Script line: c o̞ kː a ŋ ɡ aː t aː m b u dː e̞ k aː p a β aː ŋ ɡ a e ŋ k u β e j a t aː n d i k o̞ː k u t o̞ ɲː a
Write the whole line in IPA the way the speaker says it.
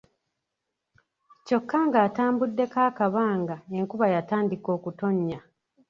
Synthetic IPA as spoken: c o̞ kː a ŋ ɡ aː t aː m b u dː e̞ k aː k a β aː ŋ ɡ a e ŋ k u β a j a t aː n d i k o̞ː k u t o̞ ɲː a

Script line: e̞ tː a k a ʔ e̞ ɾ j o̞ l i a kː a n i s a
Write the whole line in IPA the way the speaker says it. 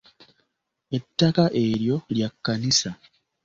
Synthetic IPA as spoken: e̞ tː a k a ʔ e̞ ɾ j o̞ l j a kː a n i s a

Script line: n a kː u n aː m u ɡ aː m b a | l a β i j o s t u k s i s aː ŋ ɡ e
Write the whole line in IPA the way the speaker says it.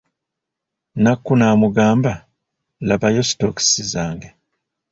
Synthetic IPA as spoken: n a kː u n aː m u ɡ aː m b a | l a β a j o s t o k s i z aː ŋ ɡ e

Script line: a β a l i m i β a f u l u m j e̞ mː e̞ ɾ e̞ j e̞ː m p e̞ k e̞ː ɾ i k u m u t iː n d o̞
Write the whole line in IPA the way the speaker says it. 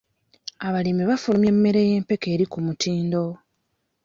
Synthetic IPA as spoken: a β a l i m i β a f u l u m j e̞ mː e̞ ɾ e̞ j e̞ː m p e̞ k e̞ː ɾ i k u m u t iː n d o̞

